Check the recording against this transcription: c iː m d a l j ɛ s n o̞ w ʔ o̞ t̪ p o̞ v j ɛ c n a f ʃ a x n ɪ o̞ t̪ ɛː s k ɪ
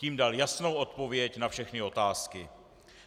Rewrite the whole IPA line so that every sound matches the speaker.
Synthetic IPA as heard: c iː m d a l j a s n o̞ w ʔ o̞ t̪ p o̞ v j ɛ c n a f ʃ ɛ x n ɪ o̞ t̪ aː s k ɪ